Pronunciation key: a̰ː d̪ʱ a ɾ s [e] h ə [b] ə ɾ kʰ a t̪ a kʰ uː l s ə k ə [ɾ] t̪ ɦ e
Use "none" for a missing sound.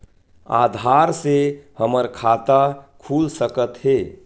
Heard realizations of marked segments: e, m, none

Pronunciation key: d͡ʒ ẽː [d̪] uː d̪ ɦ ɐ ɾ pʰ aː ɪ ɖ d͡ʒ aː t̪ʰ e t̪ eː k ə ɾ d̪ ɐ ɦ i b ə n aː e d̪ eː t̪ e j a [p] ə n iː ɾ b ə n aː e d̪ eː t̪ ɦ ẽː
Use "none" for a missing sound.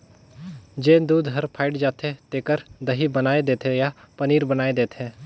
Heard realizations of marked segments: d̪, p

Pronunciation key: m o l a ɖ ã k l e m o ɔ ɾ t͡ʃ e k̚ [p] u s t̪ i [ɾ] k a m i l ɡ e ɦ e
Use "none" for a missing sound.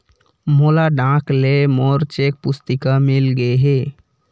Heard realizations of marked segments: p, none

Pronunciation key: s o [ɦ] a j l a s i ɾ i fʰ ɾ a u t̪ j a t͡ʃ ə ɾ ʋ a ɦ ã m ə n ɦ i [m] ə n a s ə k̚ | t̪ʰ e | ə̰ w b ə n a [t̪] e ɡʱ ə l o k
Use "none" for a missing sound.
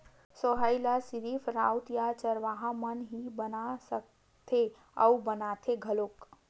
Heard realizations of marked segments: ɦ, b, t̪ʰ

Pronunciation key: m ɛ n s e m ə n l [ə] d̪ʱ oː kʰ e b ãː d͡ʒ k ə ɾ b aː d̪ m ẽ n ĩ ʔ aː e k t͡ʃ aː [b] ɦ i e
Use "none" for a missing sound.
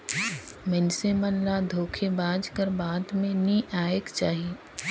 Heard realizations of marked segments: a, none

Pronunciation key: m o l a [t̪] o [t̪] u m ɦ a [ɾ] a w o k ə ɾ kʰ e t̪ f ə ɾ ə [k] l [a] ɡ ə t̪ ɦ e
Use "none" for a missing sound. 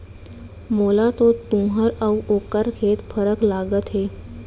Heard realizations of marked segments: t̪, t̪, ɾ, k, a

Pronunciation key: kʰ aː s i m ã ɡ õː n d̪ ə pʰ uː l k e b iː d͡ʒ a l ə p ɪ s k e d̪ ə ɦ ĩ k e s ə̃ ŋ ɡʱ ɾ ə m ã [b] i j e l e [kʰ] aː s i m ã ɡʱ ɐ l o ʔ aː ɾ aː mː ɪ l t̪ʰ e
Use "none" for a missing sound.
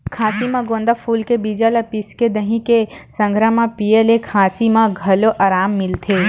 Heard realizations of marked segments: p, kʰ

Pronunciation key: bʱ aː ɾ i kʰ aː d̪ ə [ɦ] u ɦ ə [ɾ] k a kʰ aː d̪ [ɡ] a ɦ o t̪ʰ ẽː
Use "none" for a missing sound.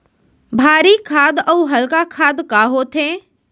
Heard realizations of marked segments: none, l, k

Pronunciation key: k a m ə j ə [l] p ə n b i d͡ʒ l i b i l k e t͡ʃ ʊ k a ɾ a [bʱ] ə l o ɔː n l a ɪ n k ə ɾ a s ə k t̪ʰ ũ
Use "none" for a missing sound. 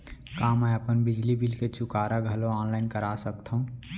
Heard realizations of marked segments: none, ɡʱ

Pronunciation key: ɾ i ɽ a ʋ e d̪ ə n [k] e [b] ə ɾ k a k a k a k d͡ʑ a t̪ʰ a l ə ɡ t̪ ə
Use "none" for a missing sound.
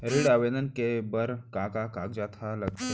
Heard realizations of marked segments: k, b

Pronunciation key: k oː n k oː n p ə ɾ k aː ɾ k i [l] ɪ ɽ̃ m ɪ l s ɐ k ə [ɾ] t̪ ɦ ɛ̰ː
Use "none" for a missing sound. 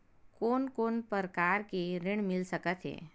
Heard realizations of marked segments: ɾ, none

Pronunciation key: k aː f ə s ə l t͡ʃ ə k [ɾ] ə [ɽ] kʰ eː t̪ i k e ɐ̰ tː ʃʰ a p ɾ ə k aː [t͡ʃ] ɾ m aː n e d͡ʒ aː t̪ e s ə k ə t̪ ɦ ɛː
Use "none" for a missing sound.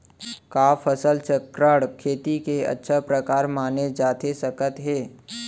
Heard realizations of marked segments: ɾ, ɽ, none

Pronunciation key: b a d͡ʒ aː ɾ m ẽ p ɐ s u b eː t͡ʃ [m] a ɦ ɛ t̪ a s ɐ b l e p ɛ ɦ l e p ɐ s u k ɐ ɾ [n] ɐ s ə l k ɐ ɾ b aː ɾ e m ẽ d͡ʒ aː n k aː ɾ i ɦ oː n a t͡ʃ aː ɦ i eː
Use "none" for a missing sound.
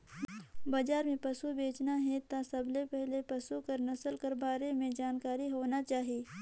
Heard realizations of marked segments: n, n

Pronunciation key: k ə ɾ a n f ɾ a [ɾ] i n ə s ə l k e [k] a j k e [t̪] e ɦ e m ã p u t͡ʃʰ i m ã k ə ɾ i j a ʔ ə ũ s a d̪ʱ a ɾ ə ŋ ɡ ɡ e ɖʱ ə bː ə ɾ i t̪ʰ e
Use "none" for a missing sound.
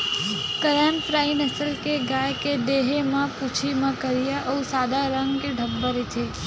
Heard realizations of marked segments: none, ɡ, d̪

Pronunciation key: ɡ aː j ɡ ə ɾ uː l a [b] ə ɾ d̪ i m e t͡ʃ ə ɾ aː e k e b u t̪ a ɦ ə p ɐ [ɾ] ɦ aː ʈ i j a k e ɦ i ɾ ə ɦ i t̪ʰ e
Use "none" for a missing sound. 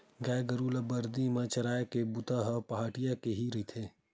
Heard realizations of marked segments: b, none

